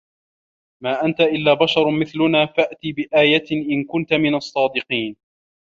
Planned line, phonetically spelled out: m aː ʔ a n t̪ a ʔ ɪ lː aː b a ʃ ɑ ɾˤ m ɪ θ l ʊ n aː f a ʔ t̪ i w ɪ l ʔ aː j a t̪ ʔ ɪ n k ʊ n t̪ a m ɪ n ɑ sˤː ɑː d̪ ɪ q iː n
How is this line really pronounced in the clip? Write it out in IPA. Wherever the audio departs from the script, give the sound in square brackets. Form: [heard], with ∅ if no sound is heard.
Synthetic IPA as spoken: m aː ʔ a n t̪ a ʔ ɪ lː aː b a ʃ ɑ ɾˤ m ɪ θ l ʊ n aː f a ʔ t̪ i [b] ɪ [∅] ʔ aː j a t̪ ʔ ɪ n k ʊ n t̪ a m ɪ n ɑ sˤː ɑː d̪ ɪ q iː n

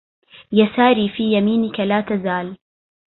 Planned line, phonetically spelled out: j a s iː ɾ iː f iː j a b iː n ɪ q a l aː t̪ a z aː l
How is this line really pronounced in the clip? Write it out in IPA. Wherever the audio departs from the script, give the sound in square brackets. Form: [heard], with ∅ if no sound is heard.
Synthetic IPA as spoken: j a s [aː] ɾ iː f iː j a [m] iː n ɪ [k] a l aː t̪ a z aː l

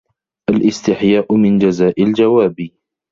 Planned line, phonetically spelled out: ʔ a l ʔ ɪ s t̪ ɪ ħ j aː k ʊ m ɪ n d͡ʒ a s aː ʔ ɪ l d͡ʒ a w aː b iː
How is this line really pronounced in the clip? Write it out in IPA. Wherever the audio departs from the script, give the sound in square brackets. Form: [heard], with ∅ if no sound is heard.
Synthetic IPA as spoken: ʔ a l ʔ ɪ s t̪ ɪ ħ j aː [ʔ] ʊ m ɪ n d͡ʒ a [z] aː ʔ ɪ l d͡ʒ a w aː b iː

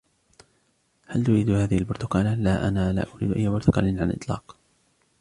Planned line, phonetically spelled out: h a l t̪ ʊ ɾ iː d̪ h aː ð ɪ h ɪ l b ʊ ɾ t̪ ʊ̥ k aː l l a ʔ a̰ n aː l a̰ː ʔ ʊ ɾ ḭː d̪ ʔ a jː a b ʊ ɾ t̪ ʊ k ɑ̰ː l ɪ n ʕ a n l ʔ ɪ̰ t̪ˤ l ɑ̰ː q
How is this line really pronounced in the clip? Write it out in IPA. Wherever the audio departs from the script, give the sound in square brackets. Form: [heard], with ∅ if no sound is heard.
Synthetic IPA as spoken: h a l t̪ ʊ ɾ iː d̪ h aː ð ɪ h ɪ l b ʊ ɾ t̪ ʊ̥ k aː l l a ʔ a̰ n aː l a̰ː ʔ ʊ ɾ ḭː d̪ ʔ a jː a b ʊ ɾ t̪ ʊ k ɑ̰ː l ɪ n ʕ a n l ʔ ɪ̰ t̪ˤ l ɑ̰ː q

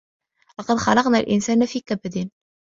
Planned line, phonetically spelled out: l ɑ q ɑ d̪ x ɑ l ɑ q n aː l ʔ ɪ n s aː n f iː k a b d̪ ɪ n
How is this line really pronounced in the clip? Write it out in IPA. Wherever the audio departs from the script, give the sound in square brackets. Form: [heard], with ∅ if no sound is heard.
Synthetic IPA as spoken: l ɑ q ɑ d̪ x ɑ l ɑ q n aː l ʔ ɪ n s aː n f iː k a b d̪ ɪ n

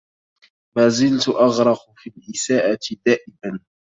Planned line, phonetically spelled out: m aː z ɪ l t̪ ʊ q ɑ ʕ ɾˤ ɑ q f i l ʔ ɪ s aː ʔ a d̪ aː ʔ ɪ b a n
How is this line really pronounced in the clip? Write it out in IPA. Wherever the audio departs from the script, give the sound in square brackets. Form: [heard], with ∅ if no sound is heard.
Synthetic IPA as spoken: m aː z ɪ l t̪ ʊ [ʔ] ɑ [ɣ] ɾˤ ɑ q f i l ʔ ɪ s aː ʔ a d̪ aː ʔ ɪ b a n

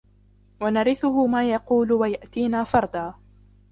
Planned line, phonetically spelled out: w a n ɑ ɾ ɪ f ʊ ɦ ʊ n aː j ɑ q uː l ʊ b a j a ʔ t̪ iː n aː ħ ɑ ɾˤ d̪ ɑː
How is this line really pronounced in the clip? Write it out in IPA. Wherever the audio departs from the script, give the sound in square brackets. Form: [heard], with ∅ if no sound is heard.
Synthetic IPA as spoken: w a n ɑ ɾ ɪ [θ] ʊ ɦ ʊ [m] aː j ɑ q uː l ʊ [w] a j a ʔ t̪ iː n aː [f] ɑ ɾˤ d̪ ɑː

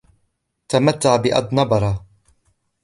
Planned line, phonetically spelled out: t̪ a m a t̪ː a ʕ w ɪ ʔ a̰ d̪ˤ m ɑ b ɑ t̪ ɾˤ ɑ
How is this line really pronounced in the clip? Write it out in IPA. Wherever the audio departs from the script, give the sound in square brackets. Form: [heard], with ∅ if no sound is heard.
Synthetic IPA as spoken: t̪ a m a t̪ː a ʕ [b] ɪ ʔ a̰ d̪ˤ [n] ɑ b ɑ [∅] ɾˤ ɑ

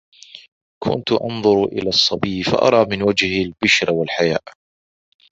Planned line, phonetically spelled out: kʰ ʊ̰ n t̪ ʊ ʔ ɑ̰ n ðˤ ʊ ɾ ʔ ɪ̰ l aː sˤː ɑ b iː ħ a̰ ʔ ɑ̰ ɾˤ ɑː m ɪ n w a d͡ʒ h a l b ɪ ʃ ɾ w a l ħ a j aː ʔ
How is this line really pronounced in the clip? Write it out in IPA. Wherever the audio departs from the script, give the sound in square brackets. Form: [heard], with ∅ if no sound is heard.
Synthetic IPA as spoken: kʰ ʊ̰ n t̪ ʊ ʔ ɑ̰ n ðˤ ʊ ɾ ʔ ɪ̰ l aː sˤː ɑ b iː [f] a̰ ʔ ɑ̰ ɾˤ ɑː m ɪ n w a d͡ʒ h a l b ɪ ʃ ɾ w a l ħ a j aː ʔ

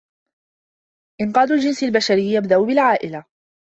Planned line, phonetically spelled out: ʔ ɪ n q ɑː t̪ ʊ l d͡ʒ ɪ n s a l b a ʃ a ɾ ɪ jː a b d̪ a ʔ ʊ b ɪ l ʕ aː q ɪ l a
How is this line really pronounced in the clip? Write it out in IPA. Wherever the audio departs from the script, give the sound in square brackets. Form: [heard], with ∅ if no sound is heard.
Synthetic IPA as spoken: ʔ ɪ n q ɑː [d̪] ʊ l d͡ʒ ɪ n s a l b a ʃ a ɾ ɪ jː a b d̪ a ʔ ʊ b ɪ l ʕ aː [ʔ] ɪ l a

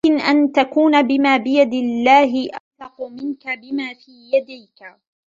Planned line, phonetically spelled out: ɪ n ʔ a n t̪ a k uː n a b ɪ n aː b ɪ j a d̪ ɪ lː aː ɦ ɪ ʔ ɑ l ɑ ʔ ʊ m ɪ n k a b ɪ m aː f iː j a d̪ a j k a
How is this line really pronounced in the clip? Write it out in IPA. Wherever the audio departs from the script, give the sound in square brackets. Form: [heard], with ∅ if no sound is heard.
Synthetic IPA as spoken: ɪ n ʔ a n t̪ a k uː n a b ɪ [m] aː b ɪ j a d̪ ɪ lː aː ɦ ɪ ʔ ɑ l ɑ [q] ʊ m ɪ n k a b ɪ m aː f iː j a d̪ a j k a

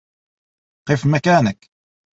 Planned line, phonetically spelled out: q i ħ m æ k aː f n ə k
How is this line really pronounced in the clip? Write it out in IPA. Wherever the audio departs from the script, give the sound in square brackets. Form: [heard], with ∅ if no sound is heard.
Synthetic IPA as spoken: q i [f] m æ k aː [∅] n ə k

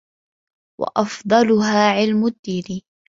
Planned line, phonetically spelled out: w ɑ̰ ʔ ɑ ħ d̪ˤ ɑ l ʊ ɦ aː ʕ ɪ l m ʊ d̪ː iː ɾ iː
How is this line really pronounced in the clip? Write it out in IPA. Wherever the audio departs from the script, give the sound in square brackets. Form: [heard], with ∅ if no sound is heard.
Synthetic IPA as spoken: w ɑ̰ ʔ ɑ [f] d̪ˤ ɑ l ʊ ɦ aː ʕ ɪ l m ʊ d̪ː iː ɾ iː

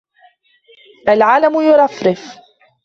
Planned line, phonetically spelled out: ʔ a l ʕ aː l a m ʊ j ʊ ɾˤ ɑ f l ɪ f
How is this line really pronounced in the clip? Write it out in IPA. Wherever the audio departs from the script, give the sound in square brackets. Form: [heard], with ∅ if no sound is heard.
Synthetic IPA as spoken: ʔ a l ʕ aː l a m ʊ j ʊ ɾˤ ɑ f [ɾ] ɪ f

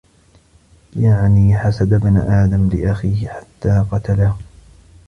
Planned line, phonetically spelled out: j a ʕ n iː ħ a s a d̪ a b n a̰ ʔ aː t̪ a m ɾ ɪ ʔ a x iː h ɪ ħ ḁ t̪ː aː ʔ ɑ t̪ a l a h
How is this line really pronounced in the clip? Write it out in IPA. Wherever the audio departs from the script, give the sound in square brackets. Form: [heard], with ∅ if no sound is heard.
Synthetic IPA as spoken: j a ʕ n iː ħ a s a d̪ a b n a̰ ʔ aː [d̪] a m [l] ɪ ʔ a x iː h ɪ ħ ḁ t̪ː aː [q] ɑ t̪ a l a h

